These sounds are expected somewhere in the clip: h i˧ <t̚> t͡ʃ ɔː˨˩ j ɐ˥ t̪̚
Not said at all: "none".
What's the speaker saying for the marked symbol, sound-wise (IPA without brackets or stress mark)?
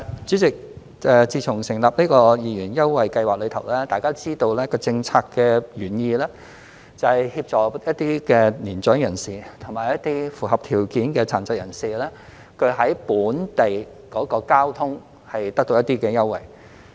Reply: p̚